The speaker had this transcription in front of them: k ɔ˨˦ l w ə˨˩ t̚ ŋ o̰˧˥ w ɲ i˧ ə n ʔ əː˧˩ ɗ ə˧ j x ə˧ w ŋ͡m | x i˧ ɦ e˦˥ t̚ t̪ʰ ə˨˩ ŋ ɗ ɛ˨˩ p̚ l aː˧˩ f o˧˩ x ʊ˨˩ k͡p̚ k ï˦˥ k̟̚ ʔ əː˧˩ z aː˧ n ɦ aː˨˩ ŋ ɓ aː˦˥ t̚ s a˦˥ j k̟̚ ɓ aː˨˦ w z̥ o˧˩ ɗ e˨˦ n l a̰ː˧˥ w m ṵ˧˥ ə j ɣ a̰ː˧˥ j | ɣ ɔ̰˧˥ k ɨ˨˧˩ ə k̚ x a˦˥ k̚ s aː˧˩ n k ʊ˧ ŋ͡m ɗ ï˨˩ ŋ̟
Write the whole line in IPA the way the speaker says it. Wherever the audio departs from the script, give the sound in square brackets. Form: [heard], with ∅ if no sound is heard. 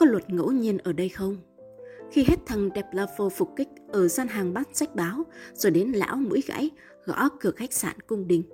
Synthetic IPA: k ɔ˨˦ l w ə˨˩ t̚ ŋ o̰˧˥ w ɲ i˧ ə n ʔ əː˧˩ ɗ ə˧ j x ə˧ w ŋ͡m | x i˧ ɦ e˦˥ t̚ t̪ʰ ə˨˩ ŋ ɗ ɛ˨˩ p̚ l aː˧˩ f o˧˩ [f] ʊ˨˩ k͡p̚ k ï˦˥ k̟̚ ʔ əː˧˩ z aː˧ n ɦ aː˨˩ ŋ ɓ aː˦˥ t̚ s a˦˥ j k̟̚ ɓ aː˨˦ w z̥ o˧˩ ɗ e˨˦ n l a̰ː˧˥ w m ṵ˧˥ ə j ɣ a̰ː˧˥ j | ɣ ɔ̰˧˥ k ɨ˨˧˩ ə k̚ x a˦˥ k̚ s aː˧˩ n k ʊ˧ ŋ͡m ɗ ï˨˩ ŋ̟